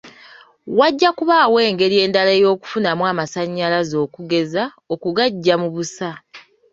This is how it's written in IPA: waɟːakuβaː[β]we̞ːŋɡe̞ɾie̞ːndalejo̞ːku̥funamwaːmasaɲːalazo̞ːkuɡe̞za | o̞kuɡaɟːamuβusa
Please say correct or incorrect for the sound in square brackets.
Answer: incorrect: none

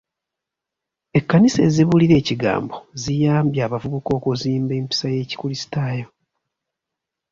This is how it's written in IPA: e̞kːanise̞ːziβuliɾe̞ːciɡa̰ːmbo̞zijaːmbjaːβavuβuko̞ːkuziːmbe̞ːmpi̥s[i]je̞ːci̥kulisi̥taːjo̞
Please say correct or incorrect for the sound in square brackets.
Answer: incorrect: a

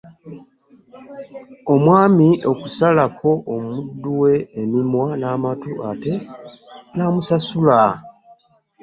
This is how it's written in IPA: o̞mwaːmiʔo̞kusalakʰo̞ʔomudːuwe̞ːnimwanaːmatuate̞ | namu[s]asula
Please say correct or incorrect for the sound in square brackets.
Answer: correct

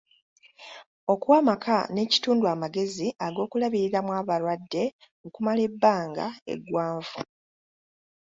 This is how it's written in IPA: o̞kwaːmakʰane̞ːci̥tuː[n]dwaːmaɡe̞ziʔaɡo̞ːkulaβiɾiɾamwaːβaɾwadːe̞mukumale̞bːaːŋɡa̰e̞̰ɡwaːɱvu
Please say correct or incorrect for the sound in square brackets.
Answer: correct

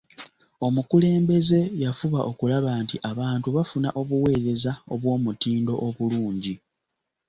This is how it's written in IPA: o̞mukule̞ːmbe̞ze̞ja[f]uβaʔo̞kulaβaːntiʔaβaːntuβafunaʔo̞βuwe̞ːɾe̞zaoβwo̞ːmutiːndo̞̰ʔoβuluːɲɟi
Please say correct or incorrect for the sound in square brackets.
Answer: correct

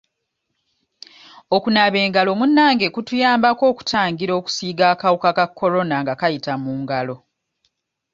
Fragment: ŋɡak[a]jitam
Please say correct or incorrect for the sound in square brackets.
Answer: correct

